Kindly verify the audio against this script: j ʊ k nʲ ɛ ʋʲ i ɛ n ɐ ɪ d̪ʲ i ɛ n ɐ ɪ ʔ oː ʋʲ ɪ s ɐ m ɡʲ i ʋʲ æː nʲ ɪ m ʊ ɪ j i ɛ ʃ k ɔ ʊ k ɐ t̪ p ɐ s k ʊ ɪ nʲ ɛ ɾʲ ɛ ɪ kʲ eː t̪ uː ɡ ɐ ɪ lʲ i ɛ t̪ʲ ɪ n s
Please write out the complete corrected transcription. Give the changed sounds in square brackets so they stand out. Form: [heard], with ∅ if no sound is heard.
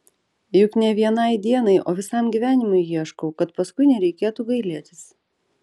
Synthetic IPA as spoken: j ʊ k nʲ ɛ ʋʲ i ɛ n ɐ ɪ d̪ʲ i ɛ n ɐ ɪ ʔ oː ʋʲ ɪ s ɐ m ɡʲ i ʋʲ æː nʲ ɪ m ʊ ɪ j i ɛ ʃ k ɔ ʊ k ɐ t̪ p ɐ s k ʊ ɪ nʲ ɛ ɾʲ ɛ ɪ kʲ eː t̪ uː ɡ ɐ ɪ lʲ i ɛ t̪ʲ ɪ [∅] s